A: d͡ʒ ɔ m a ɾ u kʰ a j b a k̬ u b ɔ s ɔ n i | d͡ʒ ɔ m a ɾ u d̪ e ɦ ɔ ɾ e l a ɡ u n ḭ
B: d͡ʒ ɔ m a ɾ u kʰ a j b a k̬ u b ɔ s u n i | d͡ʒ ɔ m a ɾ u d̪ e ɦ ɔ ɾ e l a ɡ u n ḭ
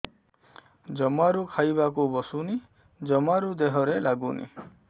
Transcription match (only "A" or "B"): B